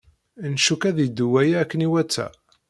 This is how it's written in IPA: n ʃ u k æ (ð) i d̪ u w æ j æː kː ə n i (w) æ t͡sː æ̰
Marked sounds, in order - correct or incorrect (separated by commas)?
correct, correct